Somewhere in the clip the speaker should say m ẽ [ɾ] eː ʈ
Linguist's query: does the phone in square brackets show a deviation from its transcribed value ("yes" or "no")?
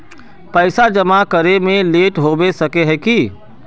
yes